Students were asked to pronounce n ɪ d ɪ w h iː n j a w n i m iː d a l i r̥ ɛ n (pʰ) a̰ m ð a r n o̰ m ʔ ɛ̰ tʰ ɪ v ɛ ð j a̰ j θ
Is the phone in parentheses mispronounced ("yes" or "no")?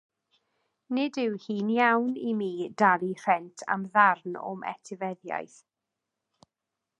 yes